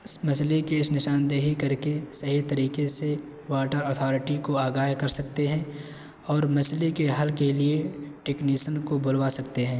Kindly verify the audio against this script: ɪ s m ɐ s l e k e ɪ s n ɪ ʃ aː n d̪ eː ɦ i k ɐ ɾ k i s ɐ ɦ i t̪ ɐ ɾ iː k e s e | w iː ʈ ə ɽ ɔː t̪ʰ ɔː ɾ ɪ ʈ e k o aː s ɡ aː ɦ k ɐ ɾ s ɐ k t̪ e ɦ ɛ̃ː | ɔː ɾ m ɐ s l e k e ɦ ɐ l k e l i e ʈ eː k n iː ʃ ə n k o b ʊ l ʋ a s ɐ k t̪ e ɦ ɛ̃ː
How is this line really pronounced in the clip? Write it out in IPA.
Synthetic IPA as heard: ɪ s m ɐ s l e k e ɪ s n ɪ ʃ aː n d̪ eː ɦ i k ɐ ɾ k e s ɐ ɦ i t̪ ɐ ɾ iː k e s e | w aː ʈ ə ɾ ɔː t̪ʰ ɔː ɾ ɪ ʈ i k o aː ɡ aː ɦ k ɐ ɾ s ɐ k t̪ e ɦ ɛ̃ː | ɔː ɾ m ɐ s l e k e ɦ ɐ l k e l i e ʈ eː k n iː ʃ ə n k o b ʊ l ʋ a s ɐ k t̪ e ɦ ɛ̃ː